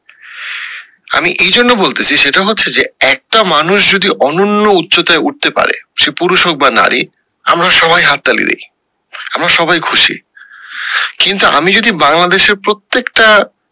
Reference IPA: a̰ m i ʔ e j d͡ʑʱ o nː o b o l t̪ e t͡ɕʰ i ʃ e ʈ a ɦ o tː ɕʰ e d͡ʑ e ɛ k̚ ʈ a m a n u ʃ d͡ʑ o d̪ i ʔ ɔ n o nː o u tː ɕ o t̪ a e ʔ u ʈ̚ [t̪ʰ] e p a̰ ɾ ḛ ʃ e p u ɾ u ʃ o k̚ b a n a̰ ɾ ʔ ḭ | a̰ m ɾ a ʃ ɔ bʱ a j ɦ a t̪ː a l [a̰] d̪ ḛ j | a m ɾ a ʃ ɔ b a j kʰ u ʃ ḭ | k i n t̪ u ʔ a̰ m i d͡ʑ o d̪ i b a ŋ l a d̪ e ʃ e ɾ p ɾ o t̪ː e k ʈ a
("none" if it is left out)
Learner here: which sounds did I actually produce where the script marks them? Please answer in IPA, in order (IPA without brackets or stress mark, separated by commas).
t̪, ḭ